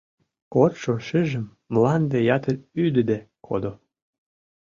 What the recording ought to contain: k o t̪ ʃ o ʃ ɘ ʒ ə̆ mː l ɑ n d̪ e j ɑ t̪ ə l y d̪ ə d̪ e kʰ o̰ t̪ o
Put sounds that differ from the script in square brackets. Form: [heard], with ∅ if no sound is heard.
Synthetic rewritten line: k o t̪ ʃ o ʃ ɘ ʒ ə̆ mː l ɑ n d̪ e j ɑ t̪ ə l y d̪ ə d̪ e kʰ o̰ [d̪] o